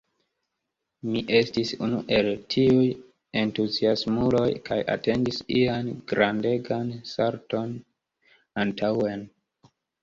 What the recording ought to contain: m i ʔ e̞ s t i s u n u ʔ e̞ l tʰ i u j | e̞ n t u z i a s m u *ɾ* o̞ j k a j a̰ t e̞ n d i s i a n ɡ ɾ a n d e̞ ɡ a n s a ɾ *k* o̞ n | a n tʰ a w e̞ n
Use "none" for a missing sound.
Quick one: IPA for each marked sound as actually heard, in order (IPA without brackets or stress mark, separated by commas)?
l, t